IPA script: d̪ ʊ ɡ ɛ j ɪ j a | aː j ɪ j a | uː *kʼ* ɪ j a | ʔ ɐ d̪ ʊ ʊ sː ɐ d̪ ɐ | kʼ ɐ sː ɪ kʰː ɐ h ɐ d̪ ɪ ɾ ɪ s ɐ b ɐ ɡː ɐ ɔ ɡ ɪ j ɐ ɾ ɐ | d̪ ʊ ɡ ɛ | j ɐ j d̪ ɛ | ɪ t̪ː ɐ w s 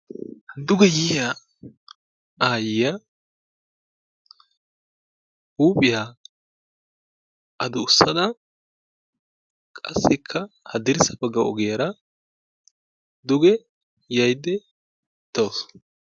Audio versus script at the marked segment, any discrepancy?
yes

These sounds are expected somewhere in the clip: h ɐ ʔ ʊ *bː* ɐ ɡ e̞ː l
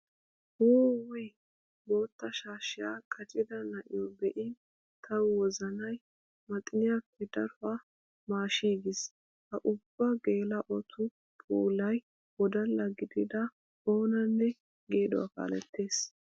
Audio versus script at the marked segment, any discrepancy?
no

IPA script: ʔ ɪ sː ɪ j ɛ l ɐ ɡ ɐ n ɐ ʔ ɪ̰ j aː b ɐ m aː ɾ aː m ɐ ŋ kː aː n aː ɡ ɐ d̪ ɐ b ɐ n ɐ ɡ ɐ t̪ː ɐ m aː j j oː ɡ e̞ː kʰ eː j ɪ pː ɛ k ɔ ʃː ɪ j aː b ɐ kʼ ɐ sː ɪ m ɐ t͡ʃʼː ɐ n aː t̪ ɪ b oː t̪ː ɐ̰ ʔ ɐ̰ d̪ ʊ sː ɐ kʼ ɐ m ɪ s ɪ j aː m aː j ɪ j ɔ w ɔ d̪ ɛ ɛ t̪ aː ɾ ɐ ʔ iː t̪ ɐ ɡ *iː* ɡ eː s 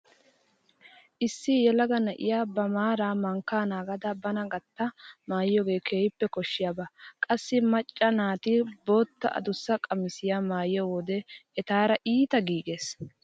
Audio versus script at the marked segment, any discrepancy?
no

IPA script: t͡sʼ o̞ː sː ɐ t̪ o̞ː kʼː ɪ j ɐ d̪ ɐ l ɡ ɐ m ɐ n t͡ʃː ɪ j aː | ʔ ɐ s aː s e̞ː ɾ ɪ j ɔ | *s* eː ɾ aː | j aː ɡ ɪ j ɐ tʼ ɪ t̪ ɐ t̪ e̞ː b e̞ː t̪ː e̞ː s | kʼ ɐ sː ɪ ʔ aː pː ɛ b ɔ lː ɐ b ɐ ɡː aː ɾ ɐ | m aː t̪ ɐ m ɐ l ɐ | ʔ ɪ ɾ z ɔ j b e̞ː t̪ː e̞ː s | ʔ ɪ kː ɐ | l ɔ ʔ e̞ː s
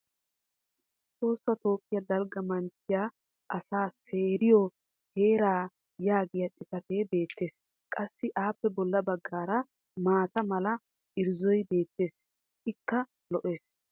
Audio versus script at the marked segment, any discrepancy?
yes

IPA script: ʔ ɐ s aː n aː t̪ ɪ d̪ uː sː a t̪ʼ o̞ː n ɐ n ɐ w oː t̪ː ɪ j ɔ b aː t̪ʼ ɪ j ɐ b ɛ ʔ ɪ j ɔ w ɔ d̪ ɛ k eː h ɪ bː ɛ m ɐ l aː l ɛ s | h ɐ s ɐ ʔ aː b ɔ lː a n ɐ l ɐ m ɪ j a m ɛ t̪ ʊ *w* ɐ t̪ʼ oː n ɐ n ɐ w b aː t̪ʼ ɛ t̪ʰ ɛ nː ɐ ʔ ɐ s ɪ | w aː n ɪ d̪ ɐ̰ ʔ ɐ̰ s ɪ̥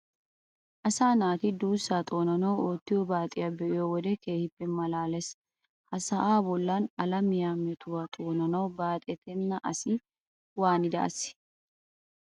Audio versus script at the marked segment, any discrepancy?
no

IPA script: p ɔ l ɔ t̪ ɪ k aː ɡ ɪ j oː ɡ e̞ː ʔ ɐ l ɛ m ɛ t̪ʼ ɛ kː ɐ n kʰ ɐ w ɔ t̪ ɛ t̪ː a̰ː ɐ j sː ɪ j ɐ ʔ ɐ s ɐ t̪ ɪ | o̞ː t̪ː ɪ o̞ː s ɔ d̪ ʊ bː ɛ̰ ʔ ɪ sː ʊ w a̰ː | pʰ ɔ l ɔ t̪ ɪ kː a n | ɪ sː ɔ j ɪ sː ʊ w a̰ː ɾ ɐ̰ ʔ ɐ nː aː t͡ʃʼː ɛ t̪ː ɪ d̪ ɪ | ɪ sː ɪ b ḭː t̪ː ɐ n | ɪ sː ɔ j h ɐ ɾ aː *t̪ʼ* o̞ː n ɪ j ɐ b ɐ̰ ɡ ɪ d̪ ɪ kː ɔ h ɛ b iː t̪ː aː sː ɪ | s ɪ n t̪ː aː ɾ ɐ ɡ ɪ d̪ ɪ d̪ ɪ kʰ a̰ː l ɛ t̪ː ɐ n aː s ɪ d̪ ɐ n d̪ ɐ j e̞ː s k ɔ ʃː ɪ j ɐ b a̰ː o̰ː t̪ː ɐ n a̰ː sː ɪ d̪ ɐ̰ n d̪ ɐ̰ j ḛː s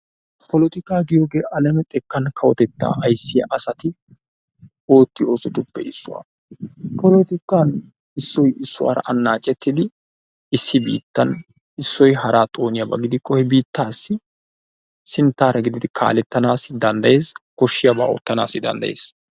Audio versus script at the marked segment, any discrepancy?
no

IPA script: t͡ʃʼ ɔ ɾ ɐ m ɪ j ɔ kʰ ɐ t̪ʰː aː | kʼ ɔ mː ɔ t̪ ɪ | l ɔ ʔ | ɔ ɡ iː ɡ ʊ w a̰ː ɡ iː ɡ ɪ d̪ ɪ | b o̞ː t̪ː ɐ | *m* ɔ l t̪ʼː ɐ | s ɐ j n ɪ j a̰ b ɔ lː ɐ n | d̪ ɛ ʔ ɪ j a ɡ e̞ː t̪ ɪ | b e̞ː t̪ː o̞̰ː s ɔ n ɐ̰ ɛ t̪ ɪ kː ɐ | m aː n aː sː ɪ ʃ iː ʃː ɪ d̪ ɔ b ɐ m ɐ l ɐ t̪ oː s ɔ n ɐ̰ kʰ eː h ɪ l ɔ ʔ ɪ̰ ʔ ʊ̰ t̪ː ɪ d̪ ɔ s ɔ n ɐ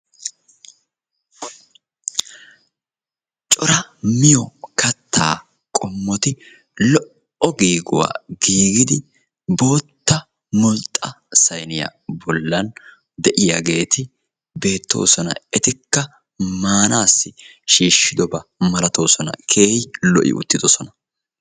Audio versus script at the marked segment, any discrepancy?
no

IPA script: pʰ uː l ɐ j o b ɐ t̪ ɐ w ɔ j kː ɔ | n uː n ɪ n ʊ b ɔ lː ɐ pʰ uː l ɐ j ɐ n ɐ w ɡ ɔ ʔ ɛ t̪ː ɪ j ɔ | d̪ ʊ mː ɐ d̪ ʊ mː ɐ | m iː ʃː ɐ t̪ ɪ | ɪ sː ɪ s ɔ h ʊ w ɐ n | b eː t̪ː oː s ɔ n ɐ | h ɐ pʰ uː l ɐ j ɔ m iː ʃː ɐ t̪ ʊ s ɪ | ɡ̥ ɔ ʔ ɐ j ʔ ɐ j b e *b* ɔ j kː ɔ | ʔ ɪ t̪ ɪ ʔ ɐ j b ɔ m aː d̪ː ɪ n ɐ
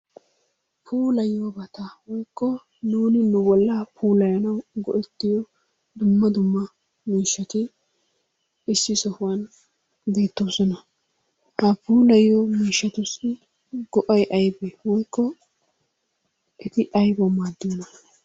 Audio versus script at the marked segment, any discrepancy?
yes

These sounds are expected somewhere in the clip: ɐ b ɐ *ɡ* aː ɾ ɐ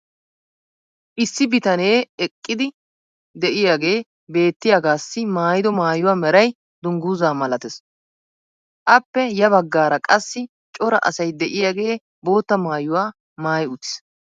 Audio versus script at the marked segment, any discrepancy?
yes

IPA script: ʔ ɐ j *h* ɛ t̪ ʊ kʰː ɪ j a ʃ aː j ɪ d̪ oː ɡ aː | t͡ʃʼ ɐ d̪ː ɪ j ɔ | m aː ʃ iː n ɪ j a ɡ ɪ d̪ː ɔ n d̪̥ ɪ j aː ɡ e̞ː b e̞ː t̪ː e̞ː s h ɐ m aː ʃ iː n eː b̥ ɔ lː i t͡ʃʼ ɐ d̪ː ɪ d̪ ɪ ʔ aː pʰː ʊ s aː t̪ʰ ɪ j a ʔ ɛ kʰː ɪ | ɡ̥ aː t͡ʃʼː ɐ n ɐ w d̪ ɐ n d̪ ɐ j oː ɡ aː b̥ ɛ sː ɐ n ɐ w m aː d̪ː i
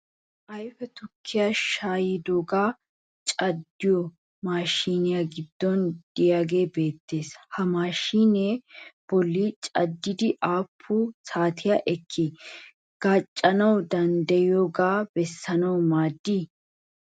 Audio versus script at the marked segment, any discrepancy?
yes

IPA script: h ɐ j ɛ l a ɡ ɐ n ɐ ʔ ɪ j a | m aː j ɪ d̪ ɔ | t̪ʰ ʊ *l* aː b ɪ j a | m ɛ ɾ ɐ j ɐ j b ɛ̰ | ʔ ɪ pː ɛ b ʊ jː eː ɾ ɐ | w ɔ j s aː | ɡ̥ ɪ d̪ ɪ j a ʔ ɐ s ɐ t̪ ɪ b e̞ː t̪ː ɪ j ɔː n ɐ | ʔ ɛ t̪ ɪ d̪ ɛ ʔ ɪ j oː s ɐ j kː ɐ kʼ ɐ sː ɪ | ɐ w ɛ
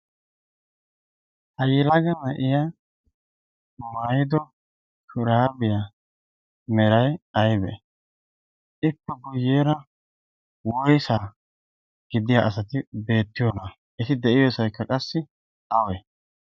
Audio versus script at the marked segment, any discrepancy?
yes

